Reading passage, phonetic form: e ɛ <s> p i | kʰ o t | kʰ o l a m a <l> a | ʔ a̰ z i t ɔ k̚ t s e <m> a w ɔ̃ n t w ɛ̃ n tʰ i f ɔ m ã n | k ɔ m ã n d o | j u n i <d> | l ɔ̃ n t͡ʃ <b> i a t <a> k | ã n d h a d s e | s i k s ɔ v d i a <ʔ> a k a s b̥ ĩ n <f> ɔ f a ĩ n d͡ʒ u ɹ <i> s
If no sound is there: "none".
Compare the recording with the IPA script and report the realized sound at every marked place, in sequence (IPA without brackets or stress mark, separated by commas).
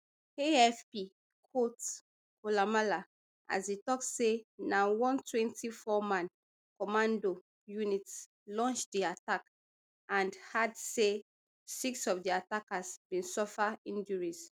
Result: f, l, n, t, d, a, t, s, i